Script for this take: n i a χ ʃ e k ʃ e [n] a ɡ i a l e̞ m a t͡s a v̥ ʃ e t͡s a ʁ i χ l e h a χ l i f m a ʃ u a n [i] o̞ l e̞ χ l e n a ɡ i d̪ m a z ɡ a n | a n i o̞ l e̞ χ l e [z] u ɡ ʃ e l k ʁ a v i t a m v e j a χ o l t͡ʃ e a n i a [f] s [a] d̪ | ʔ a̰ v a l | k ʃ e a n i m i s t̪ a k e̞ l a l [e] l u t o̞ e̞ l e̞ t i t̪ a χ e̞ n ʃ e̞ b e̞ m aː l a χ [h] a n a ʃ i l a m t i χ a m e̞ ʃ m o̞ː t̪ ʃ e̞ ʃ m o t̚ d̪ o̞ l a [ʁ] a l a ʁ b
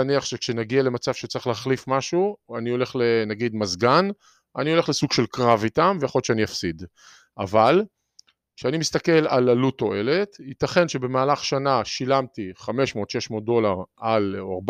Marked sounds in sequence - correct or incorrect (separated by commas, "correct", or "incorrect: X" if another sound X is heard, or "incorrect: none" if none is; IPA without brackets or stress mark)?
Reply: correct, correct, incorrect: s, correct, incorrect: i, incorrect: a, incorrect: ʃ, correct